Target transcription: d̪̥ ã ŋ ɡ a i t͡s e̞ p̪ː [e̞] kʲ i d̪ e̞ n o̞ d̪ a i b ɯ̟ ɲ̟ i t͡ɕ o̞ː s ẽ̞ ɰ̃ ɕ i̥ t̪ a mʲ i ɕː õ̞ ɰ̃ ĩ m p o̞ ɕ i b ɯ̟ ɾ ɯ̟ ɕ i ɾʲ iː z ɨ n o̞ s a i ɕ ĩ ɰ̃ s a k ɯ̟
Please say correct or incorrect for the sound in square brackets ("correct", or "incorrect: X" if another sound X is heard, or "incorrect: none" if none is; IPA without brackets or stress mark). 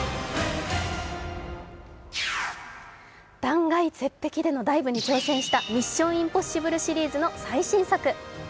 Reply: correct